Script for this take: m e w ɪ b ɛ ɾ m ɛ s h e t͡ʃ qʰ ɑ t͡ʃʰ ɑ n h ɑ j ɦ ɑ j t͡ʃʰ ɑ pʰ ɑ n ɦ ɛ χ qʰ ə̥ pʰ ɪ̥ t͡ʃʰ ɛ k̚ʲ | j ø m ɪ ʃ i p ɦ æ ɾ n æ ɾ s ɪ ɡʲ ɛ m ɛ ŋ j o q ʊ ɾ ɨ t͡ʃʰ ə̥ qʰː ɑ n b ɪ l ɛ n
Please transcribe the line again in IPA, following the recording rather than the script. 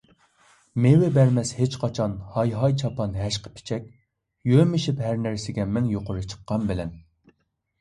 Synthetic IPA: m e w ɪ b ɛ ɾ m ɛ s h e t͡ʃ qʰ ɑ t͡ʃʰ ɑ n h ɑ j ɦ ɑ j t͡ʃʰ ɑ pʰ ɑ n ɦ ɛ ʃ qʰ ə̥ pʰ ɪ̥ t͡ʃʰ ɛ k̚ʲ | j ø m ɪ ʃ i p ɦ æ ɾ n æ ɾ s ɪ ɡʲ ɛ m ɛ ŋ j o q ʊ ɾ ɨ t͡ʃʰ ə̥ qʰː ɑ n b ɪ l ɛ n